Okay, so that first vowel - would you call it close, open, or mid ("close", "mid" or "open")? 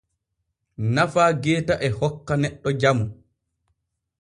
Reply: open